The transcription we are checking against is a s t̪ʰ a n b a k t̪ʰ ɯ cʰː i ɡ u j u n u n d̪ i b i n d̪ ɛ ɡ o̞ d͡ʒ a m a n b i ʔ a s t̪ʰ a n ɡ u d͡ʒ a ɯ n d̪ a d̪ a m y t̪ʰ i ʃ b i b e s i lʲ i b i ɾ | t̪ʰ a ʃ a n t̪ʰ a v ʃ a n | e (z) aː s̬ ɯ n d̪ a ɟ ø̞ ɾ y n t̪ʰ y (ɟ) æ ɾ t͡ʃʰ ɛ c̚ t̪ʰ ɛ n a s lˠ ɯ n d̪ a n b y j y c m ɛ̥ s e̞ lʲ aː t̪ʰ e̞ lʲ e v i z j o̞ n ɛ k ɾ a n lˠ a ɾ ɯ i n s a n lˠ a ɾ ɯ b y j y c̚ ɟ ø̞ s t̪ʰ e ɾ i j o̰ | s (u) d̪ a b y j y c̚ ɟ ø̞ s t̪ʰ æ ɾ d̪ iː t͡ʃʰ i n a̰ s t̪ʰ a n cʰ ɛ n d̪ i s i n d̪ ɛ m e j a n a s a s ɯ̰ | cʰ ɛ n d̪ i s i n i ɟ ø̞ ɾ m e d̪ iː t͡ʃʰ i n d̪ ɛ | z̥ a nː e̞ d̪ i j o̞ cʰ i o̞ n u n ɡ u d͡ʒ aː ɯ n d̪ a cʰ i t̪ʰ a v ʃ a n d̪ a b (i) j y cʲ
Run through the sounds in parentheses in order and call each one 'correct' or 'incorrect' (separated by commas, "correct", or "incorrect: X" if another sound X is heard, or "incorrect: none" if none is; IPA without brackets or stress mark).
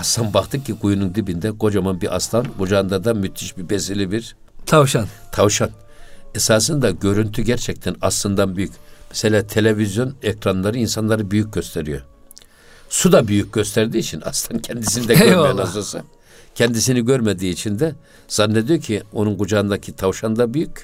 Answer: incorrect: s, correct, correct, incorrect: y